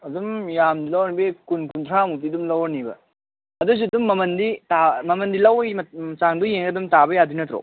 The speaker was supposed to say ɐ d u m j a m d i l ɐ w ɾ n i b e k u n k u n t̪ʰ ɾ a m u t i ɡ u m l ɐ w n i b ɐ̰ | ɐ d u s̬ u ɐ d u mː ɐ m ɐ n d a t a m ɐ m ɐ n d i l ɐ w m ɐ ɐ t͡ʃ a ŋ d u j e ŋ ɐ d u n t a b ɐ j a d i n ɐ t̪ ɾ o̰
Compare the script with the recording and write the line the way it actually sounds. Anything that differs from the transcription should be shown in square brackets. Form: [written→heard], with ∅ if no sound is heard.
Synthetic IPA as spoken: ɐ d u m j a m d i l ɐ w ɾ n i b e k u n k u n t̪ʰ ɾ a m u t i [ɡ→d] u m l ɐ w n i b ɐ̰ | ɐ d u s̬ u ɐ d u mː ɐ m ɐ n d [a→i] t a m ɐ m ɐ n d i l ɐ w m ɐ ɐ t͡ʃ a ŋ d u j e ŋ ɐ d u [n→m] t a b ɐ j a d i n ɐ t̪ ɾ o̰